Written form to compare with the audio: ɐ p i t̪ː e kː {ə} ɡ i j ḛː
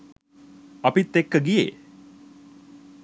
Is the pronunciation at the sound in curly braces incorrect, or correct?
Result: correct